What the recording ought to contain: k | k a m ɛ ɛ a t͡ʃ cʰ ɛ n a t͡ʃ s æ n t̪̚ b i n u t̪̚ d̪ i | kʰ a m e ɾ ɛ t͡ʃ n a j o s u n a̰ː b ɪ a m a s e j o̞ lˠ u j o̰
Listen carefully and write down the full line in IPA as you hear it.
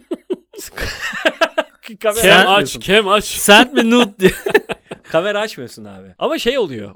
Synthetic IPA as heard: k | k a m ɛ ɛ a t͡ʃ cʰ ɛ m a t͡ʃ s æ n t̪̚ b i n u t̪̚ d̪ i | kʰ a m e ɾ a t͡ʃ m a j o s u n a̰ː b ɪ a m a ʃ e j o̞ lˠ u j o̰